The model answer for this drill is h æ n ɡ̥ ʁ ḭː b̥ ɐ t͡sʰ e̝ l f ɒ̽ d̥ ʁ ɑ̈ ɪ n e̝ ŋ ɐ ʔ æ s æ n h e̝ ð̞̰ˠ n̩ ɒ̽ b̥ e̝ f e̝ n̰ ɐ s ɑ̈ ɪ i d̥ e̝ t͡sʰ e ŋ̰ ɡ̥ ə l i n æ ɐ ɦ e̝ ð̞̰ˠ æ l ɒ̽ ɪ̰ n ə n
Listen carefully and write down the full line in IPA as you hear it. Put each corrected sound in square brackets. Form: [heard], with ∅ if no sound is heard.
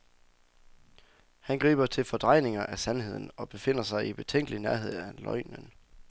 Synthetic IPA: h æ n ɡ̥ ʁ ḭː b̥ ɐ t͡sʰ e̝ l f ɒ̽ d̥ ʁ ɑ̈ ɪ n e̝ ŋ ɐ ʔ æ s æ n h e̝ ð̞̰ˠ n̩ ɒ̽ b̥ e̝ f e̝ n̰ ɐ s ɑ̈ ɪ i [b̥] e̝ t͡sʰ e ŋ̰ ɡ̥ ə l i n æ ɐ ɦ e̝ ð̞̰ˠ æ l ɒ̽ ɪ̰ n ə n